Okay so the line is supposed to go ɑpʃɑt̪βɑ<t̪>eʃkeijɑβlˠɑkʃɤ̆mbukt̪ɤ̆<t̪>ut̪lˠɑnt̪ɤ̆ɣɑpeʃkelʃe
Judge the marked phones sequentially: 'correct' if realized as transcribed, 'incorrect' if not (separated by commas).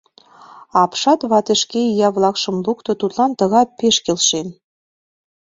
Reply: correct, correct